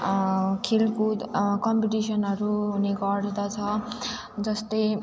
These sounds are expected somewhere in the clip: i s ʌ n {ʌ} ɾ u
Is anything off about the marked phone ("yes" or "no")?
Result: no